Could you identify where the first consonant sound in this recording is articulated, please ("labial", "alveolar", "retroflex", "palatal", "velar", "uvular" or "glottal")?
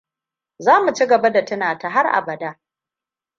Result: alveolar